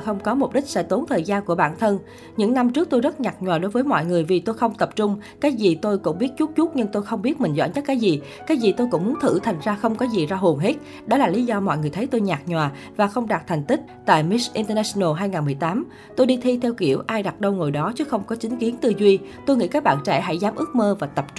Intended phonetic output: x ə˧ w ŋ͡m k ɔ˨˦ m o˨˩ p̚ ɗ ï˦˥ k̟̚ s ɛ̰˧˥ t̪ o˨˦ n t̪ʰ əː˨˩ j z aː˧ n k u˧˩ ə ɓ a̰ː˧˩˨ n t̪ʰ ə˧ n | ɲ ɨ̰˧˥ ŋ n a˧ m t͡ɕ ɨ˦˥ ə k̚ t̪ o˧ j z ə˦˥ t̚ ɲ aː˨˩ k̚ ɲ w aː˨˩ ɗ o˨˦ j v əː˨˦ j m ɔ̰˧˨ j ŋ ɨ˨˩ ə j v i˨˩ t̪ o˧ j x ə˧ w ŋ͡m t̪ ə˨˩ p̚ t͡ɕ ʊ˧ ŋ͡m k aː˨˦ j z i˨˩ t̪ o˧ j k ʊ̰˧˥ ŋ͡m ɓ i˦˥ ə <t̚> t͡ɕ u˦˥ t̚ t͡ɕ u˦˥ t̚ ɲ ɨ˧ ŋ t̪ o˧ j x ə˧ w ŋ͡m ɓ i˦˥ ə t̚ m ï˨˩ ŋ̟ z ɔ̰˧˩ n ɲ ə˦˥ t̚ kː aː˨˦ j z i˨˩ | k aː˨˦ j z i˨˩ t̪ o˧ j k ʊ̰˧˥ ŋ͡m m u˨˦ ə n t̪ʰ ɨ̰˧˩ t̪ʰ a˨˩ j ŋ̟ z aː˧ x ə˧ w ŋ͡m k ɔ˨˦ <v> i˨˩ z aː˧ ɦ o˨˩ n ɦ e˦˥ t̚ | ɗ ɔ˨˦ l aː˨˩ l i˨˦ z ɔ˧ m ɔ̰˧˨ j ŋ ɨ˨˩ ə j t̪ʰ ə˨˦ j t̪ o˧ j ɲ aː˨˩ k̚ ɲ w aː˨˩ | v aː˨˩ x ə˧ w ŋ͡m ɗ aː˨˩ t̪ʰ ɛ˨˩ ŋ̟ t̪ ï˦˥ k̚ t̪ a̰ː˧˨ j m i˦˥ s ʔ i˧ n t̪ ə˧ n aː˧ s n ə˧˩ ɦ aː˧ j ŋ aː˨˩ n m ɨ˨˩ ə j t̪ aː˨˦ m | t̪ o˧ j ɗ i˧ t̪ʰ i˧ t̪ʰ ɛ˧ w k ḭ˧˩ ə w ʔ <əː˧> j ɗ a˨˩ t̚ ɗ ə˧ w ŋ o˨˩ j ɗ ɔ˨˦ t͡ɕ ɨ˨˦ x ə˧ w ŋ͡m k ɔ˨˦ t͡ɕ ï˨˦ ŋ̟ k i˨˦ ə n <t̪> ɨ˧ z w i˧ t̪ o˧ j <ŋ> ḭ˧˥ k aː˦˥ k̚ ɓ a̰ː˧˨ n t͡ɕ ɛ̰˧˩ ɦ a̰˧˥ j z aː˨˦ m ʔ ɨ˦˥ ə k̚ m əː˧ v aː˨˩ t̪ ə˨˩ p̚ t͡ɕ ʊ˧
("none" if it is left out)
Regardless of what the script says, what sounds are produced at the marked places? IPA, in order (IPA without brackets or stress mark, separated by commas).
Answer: t̚, z, aː˧, t̪, ŋ